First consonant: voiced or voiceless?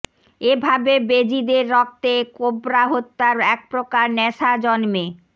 voiced